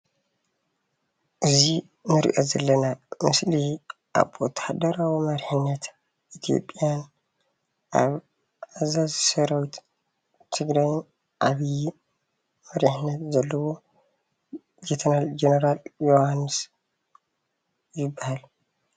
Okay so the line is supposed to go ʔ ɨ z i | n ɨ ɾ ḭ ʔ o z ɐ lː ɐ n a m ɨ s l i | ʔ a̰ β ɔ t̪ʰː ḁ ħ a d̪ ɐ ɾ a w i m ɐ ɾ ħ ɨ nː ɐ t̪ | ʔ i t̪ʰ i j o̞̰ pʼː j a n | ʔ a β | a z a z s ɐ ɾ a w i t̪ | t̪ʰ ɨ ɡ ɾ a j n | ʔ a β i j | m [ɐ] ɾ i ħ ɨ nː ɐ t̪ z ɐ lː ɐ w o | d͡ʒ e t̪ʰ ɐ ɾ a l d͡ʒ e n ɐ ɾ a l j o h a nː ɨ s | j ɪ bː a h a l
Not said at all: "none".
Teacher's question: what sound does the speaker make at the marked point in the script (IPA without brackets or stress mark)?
ɐ